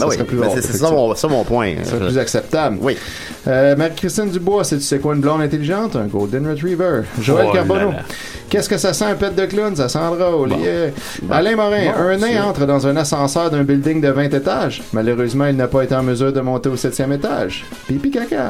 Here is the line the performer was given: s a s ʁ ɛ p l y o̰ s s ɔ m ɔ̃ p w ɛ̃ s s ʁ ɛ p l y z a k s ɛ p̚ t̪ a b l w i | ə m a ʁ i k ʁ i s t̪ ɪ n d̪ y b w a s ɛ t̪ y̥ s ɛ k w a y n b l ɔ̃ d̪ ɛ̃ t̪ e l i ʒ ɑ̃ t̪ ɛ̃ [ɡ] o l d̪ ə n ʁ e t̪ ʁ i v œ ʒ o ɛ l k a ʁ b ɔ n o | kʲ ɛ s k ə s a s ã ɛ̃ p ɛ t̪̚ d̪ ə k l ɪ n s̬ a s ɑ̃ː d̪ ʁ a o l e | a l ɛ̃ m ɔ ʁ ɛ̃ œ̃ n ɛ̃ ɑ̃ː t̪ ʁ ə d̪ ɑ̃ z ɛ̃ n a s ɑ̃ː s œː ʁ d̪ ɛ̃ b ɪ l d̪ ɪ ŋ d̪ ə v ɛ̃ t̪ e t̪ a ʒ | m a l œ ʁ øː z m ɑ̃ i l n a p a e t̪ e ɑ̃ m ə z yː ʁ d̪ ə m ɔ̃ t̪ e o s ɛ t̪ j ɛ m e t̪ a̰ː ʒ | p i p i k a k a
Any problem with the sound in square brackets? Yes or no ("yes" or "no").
no